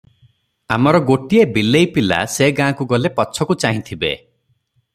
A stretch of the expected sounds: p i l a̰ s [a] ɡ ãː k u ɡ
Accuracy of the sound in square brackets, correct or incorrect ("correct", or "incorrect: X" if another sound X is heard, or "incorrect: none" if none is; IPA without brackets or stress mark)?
incorrect: e